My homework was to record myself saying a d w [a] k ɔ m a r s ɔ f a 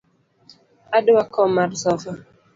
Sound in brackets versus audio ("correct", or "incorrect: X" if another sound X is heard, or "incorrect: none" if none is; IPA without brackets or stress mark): correct